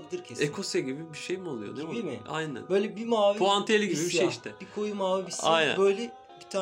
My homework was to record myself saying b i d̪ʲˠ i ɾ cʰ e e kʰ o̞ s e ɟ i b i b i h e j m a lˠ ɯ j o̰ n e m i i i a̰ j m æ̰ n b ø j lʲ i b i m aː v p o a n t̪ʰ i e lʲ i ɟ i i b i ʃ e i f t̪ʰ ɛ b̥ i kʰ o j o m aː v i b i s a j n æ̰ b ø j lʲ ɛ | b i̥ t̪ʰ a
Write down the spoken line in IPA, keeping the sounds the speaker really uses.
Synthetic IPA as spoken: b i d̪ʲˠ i ɾ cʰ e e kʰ o̞ s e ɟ i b i b i ʃ e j m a lˠ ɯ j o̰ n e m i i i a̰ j n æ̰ n b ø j lʲ ɛ b i m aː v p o a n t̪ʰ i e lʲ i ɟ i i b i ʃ e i ʃ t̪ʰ ɛ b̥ i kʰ o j u m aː v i b i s a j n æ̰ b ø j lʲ ɛ | b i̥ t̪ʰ a